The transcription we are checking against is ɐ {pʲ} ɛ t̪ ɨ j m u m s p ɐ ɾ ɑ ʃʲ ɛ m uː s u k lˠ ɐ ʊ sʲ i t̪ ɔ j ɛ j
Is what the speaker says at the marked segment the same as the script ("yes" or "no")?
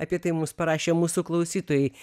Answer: yes